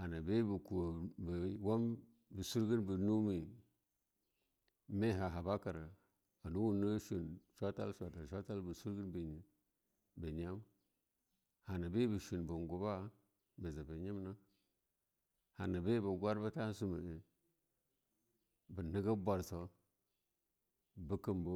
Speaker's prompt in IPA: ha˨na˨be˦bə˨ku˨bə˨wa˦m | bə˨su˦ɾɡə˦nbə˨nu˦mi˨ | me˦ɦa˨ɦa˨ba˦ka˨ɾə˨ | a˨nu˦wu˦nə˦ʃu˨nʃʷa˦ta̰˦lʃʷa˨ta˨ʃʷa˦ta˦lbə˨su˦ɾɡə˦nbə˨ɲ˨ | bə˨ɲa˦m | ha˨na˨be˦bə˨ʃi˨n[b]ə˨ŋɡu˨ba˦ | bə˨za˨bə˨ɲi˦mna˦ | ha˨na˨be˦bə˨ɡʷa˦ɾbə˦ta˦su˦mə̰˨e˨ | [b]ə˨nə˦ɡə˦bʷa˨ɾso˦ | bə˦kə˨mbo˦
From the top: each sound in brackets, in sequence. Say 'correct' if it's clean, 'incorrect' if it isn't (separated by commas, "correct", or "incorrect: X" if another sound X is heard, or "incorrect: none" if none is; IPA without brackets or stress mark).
correct, correct